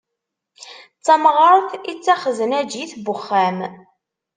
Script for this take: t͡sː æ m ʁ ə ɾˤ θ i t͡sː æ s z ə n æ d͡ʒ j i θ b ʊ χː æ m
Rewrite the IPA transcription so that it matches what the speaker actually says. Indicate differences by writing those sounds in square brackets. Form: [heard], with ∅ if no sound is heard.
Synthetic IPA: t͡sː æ m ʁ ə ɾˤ θ i t͡sː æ [χ] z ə n æ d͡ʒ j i θ b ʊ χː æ m